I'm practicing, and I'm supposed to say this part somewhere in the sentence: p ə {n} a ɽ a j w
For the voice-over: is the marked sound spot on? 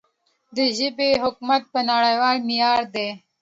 yes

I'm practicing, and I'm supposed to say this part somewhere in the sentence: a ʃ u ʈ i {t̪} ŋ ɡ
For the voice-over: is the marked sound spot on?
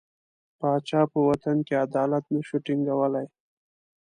no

